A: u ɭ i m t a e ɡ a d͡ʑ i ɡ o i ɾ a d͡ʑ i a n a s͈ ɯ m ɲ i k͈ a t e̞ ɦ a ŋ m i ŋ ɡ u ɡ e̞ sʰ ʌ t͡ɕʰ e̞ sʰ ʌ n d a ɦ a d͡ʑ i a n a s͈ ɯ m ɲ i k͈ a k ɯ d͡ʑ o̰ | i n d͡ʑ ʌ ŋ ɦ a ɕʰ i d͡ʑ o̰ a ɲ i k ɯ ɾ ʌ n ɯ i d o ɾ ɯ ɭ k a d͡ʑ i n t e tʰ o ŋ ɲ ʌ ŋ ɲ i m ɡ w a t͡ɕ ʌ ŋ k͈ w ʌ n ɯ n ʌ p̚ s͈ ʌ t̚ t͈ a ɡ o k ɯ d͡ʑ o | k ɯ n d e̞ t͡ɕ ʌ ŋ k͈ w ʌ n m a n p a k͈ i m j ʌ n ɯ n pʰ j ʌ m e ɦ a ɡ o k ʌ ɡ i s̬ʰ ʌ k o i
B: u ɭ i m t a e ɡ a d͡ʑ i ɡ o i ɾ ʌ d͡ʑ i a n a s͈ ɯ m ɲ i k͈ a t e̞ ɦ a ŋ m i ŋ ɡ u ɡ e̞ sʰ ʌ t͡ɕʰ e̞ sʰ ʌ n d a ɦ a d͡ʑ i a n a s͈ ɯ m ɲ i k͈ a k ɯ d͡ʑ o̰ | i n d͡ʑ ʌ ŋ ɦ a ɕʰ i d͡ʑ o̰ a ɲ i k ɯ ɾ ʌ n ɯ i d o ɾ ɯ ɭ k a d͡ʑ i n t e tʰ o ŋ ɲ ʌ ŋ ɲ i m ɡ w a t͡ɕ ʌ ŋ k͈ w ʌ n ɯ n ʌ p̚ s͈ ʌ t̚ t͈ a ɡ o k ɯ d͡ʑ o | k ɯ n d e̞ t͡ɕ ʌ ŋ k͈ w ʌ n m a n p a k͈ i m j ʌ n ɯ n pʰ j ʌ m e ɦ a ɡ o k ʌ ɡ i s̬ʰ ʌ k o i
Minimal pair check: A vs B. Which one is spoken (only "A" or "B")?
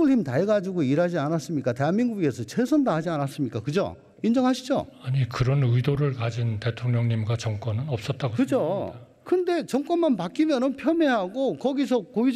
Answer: A